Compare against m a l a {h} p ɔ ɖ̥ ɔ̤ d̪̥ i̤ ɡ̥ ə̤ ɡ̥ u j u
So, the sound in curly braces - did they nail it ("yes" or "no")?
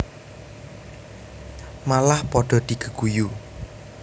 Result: yes